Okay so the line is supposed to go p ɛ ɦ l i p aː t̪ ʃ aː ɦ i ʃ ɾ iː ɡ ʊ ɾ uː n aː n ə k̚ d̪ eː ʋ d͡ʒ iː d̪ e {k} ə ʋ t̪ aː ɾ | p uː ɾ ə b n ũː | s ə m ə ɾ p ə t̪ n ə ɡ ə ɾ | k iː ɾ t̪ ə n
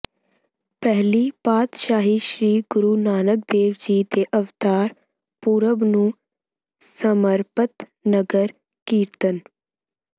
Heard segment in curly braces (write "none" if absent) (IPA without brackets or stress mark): ʔ